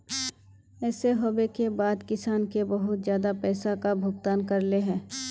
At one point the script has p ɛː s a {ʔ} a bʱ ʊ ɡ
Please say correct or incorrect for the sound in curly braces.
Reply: incorrect: k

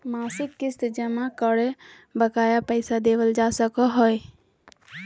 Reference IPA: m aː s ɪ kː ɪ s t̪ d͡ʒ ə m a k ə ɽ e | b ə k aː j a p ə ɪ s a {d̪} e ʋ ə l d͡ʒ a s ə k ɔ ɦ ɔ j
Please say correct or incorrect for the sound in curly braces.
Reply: correct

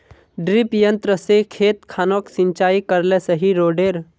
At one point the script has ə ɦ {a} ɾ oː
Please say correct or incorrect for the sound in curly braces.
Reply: incorrect: i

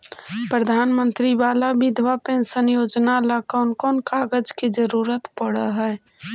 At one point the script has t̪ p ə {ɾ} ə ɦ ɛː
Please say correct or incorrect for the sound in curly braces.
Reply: incorrect: ɽ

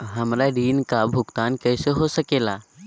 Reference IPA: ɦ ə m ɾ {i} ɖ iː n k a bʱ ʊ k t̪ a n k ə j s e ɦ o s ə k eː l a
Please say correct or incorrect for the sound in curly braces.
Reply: incorrect: a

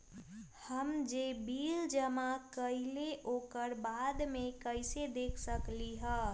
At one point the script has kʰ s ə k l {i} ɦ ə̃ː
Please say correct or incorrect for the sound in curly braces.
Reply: correct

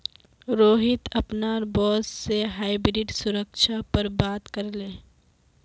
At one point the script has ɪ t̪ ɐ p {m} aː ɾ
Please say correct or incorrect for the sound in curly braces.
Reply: incorrect: n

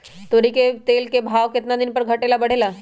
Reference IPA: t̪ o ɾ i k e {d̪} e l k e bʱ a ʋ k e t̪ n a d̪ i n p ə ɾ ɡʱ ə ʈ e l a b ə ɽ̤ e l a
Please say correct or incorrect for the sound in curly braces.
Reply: incorrect: t̪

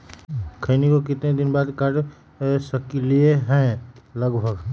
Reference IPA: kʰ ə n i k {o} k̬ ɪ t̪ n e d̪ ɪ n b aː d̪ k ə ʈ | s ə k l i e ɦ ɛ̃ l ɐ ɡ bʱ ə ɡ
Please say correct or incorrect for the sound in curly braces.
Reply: correct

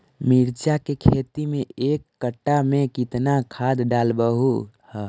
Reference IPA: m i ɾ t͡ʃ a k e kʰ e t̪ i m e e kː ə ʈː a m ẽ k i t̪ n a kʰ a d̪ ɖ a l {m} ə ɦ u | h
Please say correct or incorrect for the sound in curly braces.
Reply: incorrect: b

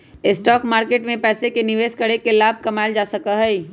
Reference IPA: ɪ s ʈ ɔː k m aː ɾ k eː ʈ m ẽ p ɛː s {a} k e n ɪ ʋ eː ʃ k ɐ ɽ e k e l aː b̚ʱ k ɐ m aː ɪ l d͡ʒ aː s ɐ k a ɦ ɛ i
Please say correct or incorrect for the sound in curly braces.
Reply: incorrect: e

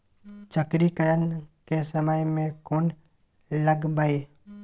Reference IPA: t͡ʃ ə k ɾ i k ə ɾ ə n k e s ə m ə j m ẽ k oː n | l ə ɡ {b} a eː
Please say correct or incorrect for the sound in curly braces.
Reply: correct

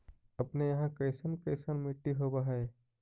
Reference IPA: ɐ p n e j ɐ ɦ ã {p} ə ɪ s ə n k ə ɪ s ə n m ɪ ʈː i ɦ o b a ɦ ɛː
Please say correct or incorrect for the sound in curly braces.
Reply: incorrect: k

